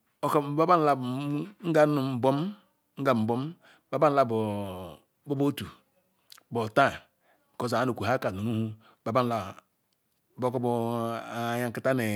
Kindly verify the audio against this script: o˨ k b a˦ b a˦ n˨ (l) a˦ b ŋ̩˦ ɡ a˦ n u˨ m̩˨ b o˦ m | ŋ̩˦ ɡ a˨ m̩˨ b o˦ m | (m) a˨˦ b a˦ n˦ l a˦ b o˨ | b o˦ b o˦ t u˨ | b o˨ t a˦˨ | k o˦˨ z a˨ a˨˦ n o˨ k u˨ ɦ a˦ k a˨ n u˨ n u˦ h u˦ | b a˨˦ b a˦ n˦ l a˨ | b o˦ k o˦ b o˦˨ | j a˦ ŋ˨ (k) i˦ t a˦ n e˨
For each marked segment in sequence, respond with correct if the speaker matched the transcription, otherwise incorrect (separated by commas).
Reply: correct, incorrect, correct